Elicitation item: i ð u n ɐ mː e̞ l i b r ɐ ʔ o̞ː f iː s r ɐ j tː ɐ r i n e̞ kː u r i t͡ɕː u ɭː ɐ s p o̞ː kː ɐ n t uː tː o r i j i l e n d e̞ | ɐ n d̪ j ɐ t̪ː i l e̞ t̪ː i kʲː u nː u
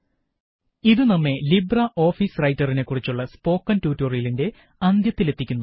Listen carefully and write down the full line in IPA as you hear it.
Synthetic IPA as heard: i ð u n ɐ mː e̞ l i b r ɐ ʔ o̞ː f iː s r ɐ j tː ɐ r i n e̞ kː u r i t͡ɕː u ɭː ɐ s p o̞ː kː ɐ n t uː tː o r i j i l i n d e̞ | ɐ n d̪ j ɐ t̪ː i l e̞ t̪ː i kʲː u nː u